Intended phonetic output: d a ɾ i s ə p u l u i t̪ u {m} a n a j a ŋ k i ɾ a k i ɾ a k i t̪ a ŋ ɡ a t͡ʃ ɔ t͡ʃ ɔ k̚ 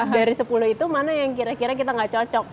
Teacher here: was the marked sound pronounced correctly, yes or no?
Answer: yes